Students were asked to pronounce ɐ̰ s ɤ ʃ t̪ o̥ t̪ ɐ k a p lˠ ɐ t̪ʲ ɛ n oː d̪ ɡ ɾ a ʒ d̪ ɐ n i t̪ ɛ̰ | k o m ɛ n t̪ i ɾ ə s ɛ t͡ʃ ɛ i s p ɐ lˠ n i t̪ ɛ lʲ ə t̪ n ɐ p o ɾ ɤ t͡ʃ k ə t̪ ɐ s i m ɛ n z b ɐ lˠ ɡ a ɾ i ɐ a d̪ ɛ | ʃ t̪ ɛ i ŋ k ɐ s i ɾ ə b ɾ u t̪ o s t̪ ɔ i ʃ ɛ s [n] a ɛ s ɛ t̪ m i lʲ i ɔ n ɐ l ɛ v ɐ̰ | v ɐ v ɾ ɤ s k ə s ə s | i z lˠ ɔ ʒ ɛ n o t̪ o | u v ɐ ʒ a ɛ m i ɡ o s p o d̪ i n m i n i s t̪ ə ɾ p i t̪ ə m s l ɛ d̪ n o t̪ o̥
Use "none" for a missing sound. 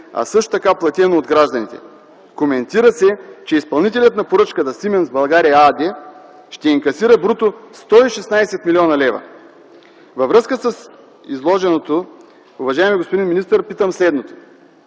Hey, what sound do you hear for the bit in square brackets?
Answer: n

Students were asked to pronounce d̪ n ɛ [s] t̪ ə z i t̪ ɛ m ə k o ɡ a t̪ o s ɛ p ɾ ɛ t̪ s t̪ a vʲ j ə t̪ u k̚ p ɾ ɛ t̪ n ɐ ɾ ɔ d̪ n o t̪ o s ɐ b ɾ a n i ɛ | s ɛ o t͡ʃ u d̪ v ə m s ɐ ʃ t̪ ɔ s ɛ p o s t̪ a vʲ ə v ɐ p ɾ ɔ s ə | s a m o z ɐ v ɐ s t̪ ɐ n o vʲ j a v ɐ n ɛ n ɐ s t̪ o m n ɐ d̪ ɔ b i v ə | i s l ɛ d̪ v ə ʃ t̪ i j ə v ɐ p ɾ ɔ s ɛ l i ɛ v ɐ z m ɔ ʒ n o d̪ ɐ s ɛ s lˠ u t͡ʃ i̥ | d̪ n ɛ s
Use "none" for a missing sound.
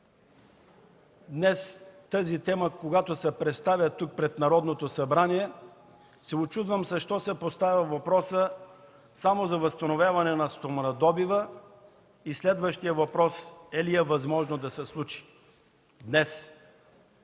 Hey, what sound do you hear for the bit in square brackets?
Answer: s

